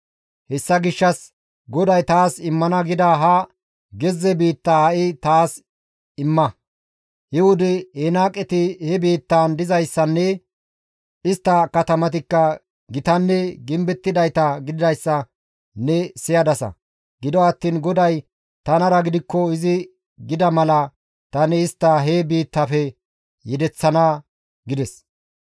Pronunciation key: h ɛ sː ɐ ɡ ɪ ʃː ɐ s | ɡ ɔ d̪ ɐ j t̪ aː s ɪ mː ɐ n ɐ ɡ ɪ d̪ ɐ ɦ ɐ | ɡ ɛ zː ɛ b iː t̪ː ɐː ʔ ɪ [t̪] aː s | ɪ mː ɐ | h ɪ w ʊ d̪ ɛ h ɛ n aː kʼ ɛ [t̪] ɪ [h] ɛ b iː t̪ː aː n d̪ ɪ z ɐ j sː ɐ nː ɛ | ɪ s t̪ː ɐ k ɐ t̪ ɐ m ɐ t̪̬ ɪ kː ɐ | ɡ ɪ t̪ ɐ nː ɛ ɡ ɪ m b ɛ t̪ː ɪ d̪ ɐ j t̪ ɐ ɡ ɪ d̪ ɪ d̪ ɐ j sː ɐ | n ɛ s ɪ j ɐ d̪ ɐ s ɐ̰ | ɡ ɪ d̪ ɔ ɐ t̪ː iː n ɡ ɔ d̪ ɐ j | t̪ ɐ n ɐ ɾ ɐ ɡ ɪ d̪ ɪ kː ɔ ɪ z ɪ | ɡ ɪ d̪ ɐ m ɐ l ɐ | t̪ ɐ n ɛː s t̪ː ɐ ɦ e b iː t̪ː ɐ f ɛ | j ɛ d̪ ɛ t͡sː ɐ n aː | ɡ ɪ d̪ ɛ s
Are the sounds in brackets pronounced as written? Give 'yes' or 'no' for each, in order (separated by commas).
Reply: yes, yes, yes